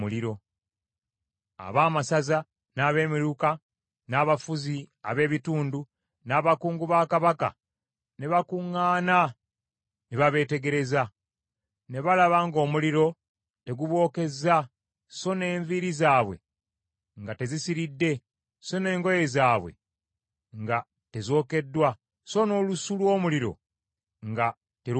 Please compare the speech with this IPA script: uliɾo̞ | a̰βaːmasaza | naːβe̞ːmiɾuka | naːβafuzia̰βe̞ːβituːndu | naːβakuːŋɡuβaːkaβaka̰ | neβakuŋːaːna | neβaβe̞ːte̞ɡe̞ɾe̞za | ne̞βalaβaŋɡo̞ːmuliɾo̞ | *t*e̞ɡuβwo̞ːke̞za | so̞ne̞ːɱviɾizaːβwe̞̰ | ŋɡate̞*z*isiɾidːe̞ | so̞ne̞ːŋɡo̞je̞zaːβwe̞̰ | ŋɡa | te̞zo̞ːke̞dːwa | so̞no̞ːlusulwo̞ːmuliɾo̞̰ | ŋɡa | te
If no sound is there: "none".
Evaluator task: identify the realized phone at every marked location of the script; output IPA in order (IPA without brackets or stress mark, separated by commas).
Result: t, z